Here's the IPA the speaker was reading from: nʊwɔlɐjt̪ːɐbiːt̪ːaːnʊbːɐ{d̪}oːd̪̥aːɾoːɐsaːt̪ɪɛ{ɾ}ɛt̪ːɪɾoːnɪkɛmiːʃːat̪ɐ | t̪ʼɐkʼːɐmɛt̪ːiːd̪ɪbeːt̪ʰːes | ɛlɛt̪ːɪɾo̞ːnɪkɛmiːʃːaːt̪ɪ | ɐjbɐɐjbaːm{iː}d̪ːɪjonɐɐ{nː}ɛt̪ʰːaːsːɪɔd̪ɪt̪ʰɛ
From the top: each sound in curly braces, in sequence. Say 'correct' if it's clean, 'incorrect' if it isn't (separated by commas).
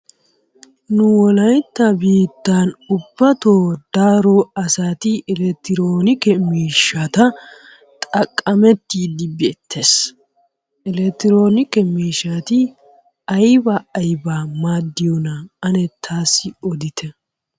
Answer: incorrect, incorrect, incorrect, incorrect